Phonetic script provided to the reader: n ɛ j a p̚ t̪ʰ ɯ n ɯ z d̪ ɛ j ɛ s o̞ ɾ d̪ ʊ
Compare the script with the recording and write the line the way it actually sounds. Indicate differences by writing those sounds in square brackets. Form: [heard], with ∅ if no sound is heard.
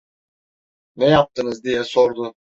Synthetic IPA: n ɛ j a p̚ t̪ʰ ɯ n ɯ z d̪ [i] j ɛ s o̞ ɾ d̪ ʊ